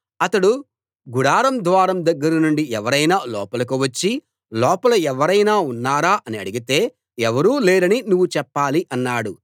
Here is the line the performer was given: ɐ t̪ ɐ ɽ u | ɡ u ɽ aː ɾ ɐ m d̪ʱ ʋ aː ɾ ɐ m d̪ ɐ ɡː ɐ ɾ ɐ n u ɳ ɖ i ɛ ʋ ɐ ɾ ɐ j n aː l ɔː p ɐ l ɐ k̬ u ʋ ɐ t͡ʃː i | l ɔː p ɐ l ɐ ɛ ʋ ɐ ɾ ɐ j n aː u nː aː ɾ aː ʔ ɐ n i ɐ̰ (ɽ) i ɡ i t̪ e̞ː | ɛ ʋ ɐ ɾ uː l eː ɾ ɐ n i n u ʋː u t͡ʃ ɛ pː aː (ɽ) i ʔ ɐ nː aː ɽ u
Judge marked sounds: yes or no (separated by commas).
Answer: yes, no